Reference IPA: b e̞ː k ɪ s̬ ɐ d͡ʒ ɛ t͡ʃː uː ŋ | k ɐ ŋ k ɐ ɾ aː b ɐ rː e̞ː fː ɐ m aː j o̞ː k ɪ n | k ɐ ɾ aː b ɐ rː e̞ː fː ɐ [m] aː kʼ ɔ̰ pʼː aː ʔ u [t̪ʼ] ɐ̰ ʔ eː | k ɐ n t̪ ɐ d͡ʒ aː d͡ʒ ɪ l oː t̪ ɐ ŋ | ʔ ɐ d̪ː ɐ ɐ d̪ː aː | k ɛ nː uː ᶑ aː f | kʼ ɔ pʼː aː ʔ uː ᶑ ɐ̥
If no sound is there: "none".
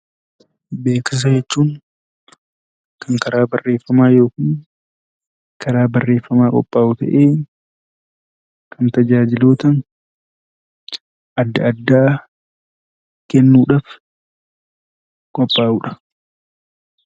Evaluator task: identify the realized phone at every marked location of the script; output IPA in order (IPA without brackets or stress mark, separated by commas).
m, t̪